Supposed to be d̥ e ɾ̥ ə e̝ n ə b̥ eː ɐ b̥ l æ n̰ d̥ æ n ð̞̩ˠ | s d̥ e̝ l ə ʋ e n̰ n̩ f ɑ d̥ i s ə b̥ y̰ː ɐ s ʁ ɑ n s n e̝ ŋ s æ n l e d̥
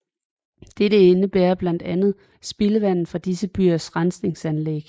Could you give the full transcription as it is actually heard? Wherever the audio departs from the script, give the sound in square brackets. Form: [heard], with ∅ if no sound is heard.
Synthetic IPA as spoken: d̥ e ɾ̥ ə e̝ n ə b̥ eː ɐ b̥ l æ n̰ d̥ æ n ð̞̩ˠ | s [b̥] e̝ l ə ʋ [æ] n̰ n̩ f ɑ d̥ i s ə b̥ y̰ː ɐ s ʁ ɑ n s n e̝ ŋ s æ n l e [ɡ̥]